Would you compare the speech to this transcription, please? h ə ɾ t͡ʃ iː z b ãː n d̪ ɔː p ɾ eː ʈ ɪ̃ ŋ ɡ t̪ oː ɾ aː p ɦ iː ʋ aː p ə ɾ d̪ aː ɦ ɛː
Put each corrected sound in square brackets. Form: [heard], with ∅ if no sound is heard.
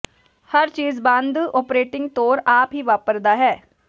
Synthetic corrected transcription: h ə ɾ t͡ʃ iː z b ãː n d̪ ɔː p ɾ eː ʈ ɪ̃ ŋ ɡ t̪ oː ɾ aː p ɦ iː ʋ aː p ə ɾ d̪ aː ɦ ɛː